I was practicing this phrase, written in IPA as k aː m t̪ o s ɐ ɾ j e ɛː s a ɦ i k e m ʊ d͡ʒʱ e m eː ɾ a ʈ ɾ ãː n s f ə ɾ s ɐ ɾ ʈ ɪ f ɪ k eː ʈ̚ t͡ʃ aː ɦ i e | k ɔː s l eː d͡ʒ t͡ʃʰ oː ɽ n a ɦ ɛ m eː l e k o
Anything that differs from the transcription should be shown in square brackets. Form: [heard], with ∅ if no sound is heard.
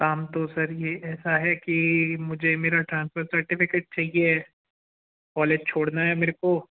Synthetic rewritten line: k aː m t̪ o s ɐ ɾ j e ɛː s a ɦ [ɛ] k [i] m ʊ d͡ʒʱ e m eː ɾ a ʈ ɾ ãː n s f ə ɾ s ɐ ɾ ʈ ɪ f ɪ k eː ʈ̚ t͡ʃ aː ɦ i e | k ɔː [∅] l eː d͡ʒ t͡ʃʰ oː ɽ n a ɦ ɛ m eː [ɾ] e k o